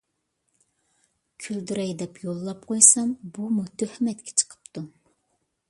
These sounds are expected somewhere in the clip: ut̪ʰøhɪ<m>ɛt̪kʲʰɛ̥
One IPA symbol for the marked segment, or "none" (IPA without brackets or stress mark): m